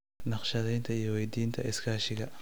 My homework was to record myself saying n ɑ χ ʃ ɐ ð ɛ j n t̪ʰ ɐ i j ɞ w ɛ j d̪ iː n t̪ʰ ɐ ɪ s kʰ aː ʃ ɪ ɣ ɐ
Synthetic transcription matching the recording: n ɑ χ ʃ ɐ ð ɛ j n t̪ʰ ɐ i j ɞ w ɛ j d̪ iː n t̪ʰ ɐ ɪ s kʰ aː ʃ ɪ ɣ ɐ